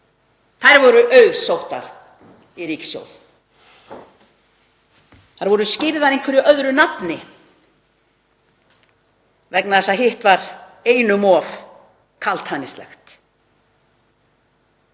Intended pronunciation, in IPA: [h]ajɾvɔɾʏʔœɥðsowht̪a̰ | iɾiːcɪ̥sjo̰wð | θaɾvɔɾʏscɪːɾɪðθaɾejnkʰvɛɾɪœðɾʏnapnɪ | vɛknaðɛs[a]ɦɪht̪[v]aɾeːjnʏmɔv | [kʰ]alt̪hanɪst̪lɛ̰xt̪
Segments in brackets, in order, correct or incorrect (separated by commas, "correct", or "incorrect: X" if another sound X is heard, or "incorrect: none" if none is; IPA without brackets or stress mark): incorrect: θ, correct, correct, correct